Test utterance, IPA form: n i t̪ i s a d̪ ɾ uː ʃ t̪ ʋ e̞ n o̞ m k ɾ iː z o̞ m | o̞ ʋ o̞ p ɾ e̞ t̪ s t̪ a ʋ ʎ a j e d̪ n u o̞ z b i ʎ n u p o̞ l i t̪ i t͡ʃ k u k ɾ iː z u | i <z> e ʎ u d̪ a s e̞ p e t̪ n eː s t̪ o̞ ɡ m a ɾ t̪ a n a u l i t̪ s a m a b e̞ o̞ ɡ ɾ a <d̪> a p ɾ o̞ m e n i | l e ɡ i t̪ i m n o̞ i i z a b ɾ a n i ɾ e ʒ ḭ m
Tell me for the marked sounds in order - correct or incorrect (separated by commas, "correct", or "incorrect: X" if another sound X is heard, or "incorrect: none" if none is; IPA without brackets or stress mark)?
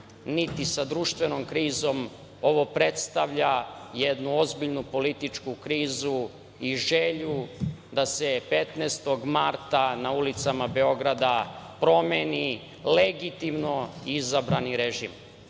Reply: incorrect: ʒ, correct